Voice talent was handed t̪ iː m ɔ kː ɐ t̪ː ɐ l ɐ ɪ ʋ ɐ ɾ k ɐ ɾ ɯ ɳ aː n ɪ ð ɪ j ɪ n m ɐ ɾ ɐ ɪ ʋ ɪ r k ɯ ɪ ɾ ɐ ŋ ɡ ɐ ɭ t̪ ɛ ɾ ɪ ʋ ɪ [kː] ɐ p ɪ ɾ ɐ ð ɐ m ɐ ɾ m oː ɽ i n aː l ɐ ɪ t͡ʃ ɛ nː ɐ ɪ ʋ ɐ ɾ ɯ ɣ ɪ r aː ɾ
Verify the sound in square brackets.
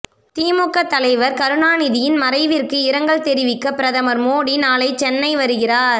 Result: correct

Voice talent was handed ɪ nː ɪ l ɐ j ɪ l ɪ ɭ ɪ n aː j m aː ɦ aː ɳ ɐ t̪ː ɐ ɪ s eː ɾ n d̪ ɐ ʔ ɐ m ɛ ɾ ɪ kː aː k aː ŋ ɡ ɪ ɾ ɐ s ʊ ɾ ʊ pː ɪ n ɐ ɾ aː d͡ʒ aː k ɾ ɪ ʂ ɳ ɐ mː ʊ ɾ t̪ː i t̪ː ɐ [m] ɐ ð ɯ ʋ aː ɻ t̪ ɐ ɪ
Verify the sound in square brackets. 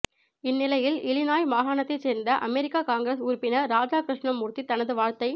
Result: incorrect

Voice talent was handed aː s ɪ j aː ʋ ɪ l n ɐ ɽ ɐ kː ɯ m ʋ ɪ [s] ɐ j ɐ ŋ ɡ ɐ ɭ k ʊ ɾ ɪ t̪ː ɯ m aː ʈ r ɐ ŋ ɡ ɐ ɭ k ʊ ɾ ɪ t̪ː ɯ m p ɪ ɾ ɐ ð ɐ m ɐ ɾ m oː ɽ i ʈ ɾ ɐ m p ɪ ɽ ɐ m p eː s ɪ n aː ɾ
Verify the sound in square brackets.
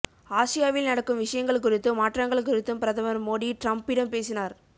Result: incorrect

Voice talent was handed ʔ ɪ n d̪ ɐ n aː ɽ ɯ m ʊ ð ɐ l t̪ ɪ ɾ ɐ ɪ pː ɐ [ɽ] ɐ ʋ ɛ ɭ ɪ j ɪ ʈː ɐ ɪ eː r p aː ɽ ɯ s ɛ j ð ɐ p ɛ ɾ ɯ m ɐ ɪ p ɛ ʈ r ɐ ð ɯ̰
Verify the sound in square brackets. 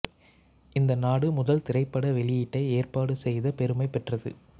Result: correct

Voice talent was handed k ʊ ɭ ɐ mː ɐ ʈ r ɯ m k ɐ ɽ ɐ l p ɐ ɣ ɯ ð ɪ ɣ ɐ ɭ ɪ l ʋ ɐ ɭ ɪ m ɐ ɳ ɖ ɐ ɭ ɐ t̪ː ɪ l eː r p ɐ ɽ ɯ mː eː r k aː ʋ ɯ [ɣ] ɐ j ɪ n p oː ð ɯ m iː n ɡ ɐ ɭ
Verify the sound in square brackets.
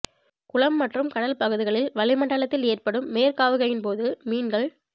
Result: correct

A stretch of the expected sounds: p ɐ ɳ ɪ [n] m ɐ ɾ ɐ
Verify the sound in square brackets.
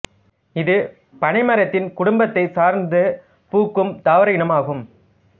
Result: incorrect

